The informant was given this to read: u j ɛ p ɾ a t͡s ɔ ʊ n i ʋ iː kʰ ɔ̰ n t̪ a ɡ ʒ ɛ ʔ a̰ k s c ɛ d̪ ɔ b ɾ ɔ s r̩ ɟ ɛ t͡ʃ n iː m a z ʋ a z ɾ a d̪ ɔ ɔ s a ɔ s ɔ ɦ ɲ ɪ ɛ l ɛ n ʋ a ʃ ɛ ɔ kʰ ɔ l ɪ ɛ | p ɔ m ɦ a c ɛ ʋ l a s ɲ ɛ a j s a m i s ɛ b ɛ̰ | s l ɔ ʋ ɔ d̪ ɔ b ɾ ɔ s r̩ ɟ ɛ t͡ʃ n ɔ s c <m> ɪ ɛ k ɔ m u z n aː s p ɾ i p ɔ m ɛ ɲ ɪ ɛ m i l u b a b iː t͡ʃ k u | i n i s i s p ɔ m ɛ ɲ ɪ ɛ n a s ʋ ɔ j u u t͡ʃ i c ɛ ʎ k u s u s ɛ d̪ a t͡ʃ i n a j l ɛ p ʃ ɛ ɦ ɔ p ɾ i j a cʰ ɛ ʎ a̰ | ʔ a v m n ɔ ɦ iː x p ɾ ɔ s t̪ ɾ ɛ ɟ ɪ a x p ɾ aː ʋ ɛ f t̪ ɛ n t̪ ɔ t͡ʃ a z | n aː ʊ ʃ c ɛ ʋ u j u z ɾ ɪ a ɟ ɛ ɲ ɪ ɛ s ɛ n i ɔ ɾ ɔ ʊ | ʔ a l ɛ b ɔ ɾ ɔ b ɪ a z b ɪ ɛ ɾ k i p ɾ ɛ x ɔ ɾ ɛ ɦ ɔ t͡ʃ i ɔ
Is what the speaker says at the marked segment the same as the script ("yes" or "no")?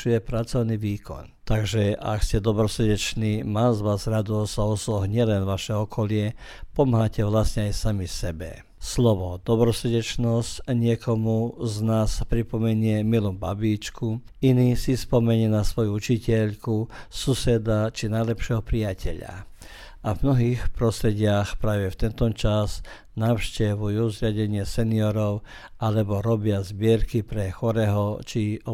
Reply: no